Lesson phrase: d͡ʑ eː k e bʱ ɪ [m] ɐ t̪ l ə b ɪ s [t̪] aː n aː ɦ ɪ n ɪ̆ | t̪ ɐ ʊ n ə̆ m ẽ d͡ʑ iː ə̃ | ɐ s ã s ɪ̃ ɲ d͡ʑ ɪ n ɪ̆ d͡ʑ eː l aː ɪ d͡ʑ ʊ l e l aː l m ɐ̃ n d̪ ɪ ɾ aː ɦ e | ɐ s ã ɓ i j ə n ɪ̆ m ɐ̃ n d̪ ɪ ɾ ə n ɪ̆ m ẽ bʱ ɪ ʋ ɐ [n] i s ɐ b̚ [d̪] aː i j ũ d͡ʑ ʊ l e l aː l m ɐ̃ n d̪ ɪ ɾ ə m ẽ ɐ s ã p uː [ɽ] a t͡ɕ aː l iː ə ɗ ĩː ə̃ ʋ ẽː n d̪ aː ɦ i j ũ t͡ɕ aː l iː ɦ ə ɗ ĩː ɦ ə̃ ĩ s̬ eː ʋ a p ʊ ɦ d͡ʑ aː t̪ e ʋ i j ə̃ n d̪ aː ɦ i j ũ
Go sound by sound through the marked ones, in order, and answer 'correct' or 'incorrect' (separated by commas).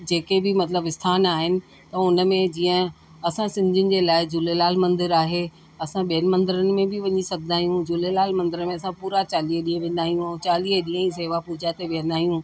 correct, incorrect, incorrect, correct, incorrect